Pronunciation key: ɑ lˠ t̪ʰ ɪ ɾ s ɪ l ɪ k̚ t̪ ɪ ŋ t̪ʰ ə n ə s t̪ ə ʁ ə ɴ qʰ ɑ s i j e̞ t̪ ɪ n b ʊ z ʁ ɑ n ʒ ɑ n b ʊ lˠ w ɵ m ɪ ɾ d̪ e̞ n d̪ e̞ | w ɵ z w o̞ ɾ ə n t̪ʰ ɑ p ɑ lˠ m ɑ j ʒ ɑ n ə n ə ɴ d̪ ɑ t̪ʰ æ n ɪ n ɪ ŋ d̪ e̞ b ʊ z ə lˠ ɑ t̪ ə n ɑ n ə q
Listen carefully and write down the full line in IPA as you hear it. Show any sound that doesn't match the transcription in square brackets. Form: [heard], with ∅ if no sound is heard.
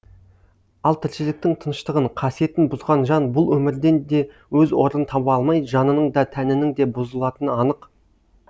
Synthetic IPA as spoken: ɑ lˠ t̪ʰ ɪ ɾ [ʃ] ɪ l ɪ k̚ t̪ ɪ ŋ t̪ʰ ə n ə [ʃ] t̪ ə ʁ ə ɴ qʰ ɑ s i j e̞ t̪ ɪ n b ʊ z ʁ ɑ n ʒ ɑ n b ʊ lˠ w ɵ m ɪ ɾ d̪ e̞ n d̪ e̞ | w ɵ z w o̞ ɾ ə n t̪ʰ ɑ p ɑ lˠ m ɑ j ʒ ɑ n ə n ə ɴ d̪ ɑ t̪ʰ æ n ɪ n ɪ ŋ d̪ e̞ b ʊ z ə lˠ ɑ t̪ ə n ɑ n ə q